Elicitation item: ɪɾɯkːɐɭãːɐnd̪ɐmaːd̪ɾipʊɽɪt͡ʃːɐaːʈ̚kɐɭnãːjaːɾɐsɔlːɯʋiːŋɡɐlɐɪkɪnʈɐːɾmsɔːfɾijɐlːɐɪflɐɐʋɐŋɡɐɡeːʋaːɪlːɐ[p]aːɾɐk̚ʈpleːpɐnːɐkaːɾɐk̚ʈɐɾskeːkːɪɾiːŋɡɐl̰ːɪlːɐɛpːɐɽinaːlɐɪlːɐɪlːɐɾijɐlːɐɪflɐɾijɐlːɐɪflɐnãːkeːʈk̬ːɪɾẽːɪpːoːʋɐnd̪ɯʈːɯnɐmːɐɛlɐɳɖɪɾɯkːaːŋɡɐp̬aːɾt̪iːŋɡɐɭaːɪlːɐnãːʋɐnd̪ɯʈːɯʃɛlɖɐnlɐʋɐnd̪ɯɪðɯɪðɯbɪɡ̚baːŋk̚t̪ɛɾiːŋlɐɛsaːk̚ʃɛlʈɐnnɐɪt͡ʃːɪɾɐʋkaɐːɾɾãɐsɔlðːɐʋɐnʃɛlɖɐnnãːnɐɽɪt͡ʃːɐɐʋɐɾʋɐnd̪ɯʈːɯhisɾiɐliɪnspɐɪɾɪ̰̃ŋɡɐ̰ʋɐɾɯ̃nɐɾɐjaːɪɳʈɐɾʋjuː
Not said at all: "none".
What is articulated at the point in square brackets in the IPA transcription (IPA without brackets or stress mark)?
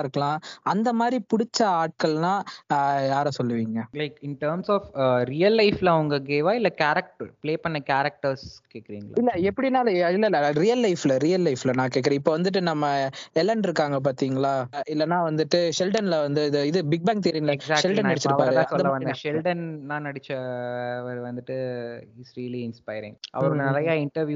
k